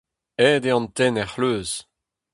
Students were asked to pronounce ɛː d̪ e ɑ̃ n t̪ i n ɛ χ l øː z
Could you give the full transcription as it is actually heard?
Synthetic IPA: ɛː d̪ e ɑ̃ n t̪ ɛ n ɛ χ l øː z